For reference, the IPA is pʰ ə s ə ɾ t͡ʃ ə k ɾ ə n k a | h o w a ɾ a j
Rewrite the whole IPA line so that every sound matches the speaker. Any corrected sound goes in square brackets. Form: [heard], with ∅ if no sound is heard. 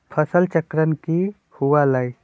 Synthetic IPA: pʰ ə s ə [l] t͡ʃ ə k ɾ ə n k [i] | h [u] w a [l] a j